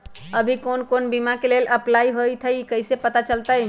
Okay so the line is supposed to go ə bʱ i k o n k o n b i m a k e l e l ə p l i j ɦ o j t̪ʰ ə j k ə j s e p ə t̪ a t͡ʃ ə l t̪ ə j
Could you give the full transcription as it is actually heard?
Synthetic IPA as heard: ə bʱ i k o n k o n b i m a k e l e l ə p l a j ɦ o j t̪ʰ ə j k ə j s e p ə t̪ a t͡ʃ ə l t̪ ə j